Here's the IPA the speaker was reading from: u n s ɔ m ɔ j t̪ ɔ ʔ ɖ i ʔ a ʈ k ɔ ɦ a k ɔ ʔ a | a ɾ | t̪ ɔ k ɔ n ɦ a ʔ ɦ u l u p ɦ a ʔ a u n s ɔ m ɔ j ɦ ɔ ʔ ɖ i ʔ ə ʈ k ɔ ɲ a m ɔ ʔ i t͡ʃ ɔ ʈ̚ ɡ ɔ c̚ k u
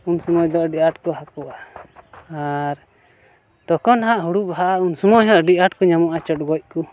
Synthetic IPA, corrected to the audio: u n s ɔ m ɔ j d̪ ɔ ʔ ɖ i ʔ a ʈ k ɔ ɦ a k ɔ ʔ a | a ɾ | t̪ ɔ k ɔ n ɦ a ʔ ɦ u ɽ u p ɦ a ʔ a u n s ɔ m ɔ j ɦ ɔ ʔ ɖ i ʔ a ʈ k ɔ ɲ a m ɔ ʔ a t͡ʃ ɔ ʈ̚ ɡ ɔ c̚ k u

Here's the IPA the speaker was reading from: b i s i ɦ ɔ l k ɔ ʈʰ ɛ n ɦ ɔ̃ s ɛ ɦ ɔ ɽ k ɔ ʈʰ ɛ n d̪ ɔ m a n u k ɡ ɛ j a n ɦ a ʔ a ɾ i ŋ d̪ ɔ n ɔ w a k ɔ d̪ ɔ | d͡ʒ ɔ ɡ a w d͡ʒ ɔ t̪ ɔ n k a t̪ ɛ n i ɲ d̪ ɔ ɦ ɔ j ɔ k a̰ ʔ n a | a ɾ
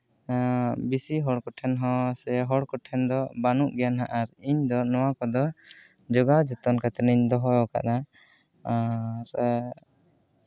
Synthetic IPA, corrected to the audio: b i s i ɦ ɔ ɽ k ɔ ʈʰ ɛ n ɦ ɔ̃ s ɛ ɦ ɔ ɽ k ɔ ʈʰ ɛ n d̪ ɔ b a n u ʔ ɡ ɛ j a n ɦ a ʔ a ɾ i ɲ d̪ ɔ n ɔ w a k ɔ d̪ ɔ | d͡ʒ ɔ ɡ a w d͡ʒ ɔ t̪ ɔ n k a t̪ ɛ n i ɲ d̪ ɔ ɦ ɔ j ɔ k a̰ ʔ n a | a ɾ

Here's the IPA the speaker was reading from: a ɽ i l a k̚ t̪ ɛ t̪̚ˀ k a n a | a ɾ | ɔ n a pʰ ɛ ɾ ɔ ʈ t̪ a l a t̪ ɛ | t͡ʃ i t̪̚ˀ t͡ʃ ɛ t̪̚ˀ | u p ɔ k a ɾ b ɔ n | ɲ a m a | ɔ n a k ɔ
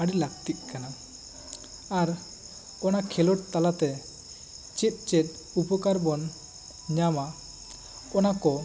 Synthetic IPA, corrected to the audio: a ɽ i l a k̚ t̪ i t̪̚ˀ k a n a | a ɾ | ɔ n a kʰ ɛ l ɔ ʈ t̪ a l a t̪ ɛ | t͡ʃ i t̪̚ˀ t͡ʃ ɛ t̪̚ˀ | u p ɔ k a ɾ b ɔ n | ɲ a m a | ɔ n a k ɔ

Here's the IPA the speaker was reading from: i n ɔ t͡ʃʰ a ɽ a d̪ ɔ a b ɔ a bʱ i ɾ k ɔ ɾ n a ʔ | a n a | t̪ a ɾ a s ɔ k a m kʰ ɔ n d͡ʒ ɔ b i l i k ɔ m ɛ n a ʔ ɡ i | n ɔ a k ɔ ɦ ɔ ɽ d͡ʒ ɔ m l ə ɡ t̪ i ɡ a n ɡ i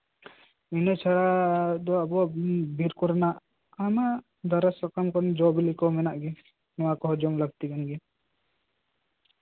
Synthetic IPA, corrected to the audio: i n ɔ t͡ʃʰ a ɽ a d̪ ɔ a b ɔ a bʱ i ɾ k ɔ ɾ n a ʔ | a m a | d̪ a ɾ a s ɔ k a m k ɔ n d͡ʒ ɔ b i l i k ɔ m ɛ n a ʔ ɡ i | n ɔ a k ɔ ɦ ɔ d͡ʒ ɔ m l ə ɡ t̪ i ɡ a n ɡ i

